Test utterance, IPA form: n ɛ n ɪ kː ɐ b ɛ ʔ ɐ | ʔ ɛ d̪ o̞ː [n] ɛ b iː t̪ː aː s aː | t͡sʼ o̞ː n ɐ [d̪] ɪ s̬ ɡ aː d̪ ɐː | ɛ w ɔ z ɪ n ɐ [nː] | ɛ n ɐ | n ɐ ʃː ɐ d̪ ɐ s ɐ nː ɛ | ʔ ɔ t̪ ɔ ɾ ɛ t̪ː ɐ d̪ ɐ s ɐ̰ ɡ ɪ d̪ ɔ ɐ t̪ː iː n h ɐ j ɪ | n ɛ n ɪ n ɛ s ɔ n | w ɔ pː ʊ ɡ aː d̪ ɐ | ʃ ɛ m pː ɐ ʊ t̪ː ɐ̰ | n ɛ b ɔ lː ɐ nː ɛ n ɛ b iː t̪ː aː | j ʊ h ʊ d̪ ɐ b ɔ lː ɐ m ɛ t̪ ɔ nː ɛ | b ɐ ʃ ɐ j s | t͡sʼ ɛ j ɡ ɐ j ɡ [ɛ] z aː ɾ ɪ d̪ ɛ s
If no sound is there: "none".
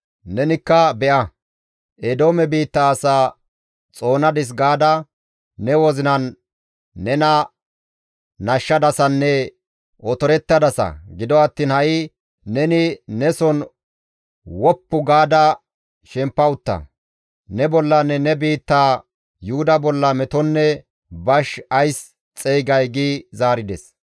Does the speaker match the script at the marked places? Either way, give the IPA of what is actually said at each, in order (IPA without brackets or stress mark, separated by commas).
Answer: m, d̪, nː, i